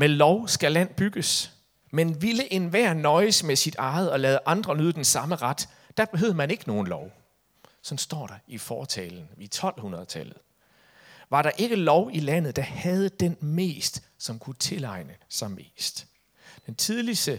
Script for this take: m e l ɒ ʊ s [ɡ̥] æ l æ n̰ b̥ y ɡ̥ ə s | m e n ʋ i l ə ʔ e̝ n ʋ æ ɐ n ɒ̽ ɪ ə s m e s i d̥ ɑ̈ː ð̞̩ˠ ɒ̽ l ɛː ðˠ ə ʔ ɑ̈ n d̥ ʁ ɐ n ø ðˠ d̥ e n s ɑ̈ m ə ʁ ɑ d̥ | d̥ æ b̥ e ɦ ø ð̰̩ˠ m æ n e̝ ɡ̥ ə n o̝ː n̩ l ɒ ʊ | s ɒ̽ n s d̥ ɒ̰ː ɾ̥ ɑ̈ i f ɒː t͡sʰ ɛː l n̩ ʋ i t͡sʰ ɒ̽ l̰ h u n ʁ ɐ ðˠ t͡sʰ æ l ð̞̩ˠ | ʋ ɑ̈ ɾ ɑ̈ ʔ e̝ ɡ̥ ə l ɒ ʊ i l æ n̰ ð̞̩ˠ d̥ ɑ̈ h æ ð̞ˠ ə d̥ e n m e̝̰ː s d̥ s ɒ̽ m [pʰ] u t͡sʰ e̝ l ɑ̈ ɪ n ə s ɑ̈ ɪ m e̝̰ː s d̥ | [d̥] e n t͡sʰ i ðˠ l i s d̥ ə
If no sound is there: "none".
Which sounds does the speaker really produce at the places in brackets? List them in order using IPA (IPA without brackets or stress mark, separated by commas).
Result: ɡ̥, kʰ, d̥